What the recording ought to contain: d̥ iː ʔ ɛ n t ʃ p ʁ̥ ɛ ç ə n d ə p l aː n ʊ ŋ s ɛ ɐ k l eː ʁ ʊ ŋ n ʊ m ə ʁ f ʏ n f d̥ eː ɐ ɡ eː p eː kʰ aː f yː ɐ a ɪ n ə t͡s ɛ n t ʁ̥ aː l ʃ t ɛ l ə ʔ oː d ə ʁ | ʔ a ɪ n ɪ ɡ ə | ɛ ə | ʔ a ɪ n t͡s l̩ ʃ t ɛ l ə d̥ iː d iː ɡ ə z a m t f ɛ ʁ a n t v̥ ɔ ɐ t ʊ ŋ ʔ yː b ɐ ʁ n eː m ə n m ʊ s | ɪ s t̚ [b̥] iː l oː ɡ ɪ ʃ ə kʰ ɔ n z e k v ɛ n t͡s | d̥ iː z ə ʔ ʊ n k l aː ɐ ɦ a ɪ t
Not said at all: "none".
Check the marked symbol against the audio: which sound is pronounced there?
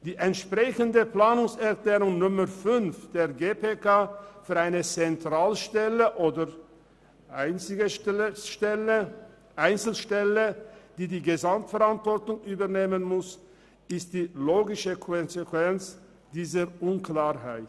d̥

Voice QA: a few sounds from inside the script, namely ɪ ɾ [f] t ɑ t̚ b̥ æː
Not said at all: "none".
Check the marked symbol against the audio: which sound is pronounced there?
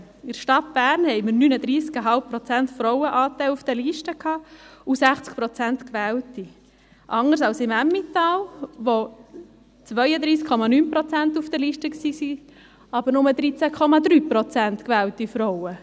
ʃ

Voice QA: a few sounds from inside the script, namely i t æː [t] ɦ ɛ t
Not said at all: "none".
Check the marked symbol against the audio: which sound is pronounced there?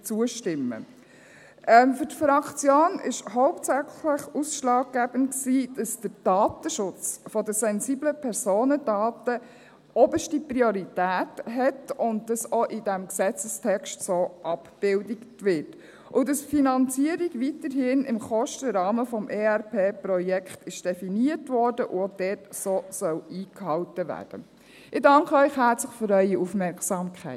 t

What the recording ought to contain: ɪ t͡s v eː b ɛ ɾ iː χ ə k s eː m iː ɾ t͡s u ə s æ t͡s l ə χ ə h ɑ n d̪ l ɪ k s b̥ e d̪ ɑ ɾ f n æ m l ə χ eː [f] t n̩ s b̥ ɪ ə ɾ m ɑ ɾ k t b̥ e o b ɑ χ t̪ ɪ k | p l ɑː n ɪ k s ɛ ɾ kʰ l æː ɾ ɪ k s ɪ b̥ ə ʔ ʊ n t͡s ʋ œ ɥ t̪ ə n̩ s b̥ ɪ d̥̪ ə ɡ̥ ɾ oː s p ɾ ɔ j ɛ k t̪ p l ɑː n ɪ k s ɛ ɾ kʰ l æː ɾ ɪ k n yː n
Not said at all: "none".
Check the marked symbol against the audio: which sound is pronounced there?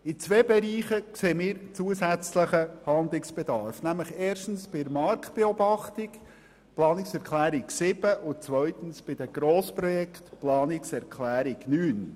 ʃ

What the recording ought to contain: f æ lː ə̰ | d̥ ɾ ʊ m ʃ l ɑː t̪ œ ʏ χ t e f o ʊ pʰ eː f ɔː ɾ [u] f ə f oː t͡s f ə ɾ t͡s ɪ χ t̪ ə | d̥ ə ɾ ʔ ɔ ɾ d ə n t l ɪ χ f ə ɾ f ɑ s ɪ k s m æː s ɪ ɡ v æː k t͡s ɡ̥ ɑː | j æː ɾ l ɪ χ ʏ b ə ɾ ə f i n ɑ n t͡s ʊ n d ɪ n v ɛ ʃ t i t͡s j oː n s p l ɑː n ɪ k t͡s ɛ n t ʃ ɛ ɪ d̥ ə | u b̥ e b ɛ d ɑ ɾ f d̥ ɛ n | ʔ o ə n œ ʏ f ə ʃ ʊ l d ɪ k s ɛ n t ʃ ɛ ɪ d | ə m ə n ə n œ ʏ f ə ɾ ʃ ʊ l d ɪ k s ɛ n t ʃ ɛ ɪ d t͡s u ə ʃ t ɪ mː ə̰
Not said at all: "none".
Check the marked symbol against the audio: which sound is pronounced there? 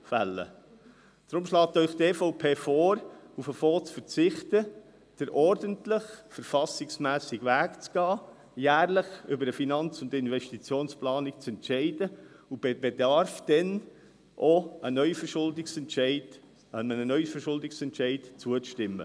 u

